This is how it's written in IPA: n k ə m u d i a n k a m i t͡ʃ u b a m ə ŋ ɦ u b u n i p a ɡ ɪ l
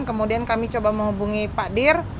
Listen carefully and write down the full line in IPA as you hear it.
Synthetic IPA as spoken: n k ə m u d i a n k a m i t͡ʃ o b a m ə ŋ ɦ u b u ŋ i p a d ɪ r